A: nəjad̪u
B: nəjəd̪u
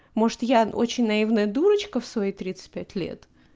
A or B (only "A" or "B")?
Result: B